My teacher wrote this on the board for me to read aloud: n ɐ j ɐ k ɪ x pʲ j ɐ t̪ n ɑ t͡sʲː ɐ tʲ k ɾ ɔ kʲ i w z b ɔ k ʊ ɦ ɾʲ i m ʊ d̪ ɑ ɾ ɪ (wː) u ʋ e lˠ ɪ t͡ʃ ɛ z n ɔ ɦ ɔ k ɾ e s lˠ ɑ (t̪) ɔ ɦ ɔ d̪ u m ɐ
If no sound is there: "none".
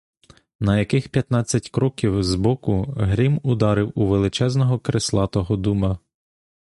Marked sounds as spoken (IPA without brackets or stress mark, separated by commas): w, t̪